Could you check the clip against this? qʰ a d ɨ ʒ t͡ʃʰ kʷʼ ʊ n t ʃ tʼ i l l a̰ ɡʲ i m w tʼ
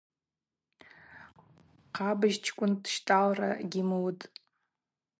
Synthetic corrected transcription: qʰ a b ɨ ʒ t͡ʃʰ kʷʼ ʊ n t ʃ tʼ a l r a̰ ɡʲ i m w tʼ